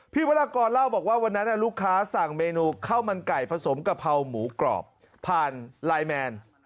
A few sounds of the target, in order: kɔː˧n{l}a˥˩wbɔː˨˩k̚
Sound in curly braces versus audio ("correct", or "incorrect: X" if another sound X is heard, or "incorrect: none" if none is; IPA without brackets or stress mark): correct